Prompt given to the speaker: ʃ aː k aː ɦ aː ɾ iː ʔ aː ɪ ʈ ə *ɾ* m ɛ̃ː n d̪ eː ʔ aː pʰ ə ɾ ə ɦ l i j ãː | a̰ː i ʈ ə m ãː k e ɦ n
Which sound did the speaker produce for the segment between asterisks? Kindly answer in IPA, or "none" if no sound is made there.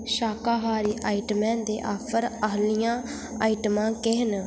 none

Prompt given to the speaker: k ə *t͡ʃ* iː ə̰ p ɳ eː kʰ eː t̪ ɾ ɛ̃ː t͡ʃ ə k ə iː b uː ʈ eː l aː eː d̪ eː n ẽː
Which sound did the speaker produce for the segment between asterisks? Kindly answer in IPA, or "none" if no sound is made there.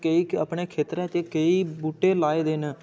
none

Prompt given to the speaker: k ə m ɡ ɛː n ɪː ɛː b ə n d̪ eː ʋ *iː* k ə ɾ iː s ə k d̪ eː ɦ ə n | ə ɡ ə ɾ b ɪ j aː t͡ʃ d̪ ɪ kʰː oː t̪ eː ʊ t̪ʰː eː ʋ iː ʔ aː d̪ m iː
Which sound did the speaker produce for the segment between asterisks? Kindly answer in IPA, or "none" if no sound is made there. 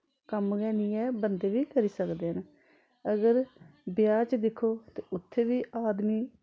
iː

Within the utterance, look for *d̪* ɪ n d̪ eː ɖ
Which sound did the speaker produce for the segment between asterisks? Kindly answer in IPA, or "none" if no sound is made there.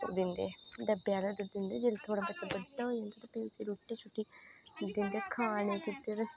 d̪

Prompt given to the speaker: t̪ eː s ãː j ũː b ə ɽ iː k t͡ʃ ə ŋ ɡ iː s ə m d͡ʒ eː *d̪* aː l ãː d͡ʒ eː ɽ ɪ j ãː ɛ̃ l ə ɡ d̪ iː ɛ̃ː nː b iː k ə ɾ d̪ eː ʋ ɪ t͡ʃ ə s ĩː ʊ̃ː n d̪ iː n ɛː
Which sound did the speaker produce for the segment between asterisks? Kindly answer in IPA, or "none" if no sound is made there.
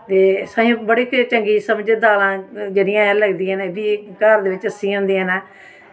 d̪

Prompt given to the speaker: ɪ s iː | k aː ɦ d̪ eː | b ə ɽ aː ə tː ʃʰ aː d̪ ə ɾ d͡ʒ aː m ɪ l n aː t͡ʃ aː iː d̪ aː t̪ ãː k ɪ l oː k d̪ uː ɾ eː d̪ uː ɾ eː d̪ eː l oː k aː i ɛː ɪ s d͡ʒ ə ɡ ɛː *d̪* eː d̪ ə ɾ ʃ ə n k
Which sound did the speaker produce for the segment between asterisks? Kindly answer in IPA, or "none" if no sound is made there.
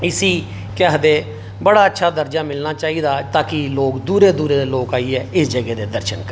d̪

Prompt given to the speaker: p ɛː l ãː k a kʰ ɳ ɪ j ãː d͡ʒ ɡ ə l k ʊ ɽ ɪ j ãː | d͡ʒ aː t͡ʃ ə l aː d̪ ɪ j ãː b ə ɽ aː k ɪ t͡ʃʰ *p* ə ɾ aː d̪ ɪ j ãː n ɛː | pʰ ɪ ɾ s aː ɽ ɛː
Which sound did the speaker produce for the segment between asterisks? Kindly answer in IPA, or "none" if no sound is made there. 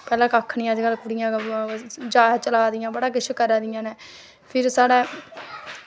k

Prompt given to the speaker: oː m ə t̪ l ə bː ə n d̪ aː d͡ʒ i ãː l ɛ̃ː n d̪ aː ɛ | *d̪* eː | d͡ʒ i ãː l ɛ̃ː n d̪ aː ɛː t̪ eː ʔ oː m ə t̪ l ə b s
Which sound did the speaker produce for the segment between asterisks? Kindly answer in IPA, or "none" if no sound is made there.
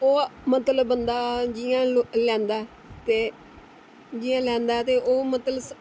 t̪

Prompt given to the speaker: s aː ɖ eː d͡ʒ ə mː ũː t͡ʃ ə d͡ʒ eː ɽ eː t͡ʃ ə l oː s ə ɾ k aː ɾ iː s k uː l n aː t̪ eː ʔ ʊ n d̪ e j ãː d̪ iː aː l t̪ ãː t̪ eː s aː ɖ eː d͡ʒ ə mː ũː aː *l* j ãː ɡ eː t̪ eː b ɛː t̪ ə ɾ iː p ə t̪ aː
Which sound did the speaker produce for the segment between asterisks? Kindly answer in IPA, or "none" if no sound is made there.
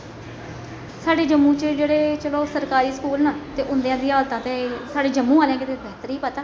l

